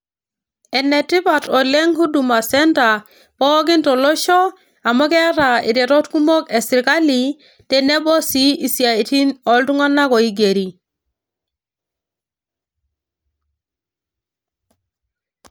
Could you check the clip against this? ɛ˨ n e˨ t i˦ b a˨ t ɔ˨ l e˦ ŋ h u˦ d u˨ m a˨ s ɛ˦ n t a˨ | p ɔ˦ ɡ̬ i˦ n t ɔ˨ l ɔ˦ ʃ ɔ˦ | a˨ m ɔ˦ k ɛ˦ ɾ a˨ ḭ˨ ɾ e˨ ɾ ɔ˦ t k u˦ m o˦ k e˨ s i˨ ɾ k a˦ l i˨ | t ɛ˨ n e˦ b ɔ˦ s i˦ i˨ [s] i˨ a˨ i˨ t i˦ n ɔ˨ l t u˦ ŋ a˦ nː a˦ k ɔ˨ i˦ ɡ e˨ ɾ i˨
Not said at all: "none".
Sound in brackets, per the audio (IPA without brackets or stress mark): s